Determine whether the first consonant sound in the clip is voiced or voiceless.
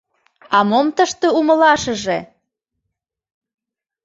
voiced